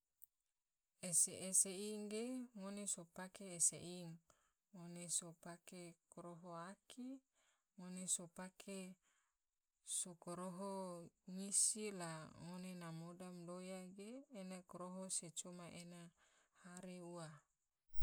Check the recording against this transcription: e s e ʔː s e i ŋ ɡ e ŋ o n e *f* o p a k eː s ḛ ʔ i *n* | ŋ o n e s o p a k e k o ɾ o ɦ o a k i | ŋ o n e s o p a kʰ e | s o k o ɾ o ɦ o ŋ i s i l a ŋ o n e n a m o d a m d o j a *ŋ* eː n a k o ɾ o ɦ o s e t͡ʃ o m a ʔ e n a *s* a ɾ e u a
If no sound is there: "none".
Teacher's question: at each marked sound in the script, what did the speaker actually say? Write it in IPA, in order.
s, ŋ, ɡ, h

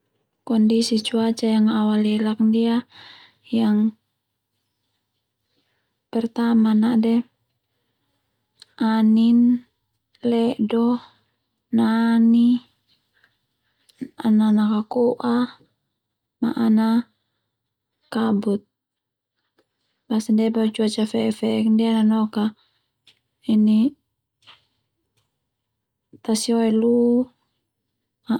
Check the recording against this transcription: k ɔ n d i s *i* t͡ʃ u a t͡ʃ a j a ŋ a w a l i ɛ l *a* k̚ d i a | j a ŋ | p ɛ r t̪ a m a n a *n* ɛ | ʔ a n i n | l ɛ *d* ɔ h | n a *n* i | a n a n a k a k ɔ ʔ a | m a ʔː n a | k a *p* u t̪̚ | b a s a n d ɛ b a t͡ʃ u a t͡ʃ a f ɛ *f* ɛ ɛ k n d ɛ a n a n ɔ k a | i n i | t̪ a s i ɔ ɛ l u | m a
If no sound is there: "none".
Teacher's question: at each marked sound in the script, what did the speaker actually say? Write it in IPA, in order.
i, a, d, d, n, b, f

